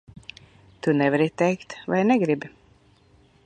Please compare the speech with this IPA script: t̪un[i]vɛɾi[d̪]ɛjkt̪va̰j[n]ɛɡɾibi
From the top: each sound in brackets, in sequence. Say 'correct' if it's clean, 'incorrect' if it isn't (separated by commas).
incorrect, incorrect, correct